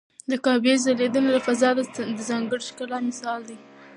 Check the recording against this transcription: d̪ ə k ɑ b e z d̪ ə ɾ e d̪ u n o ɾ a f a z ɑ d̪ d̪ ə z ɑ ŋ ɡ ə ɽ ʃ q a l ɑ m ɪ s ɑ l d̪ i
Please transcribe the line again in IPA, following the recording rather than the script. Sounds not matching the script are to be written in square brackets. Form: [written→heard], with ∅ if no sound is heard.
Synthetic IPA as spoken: d̪ ə k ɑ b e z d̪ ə [ɾ→l] e d̪ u n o [ɾ→l] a f a z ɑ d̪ d̪ ə z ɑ ŋ ɡ ə ɽ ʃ [q→k] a l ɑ m ɪ s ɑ l d̪ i